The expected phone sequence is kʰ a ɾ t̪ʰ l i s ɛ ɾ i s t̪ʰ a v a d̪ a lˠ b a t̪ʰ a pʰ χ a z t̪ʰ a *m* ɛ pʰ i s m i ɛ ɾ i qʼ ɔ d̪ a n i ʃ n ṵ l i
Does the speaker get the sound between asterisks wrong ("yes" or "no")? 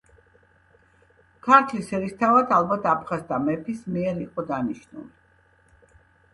no